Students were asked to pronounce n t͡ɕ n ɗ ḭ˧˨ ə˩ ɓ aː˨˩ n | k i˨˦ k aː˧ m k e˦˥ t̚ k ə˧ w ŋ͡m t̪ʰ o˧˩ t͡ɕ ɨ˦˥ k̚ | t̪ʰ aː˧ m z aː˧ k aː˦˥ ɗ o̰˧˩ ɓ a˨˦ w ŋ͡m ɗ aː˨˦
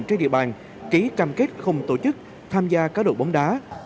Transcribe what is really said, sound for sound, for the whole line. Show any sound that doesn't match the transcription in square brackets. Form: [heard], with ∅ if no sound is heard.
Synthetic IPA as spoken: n t͡ɕ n ɗ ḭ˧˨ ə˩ ɓ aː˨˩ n | k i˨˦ k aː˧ m k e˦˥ t̚ [x] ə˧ w ŋ͡m [t̪] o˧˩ t͡ɕ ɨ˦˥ k̚ | t̪ʰ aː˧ m z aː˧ k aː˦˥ ɗ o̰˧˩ ɓ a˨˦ w ŋ͡m ɗ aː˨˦